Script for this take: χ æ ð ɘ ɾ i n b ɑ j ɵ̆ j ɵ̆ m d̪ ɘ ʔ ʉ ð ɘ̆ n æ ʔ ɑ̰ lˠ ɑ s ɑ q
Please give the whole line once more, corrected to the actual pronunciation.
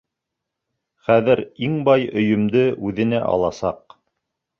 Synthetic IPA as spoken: χ æ ð ɘ ɾ i ŋ b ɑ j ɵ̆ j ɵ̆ m d̪ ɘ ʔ ʉ ð ɘ̆ n æ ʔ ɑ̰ lˠ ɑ s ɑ q